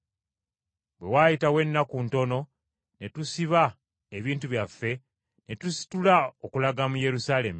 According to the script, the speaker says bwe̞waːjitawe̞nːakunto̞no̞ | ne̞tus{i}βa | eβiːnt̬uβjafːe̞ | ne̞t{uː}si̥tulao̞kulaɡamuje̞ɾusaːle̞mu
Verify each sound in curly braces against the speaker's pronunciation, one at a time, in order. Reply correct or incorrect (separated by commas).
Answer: correct, incorrect